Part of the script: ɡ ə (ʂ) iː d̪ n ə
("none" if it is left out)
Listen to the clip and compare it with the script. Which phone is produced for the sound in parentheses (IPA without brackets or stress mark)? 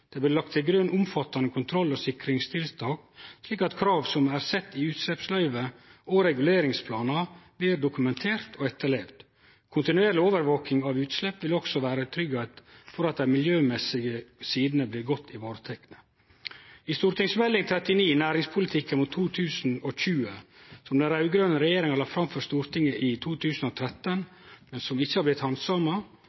s